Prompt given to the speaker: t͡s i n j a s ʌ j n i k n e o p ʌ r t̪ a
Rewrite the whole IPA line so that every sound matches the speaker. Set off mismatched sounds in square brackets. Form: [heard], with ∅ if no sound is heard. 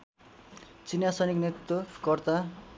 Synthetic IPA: t͡s i n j a s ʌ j n i k n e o [k] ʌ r t̪ a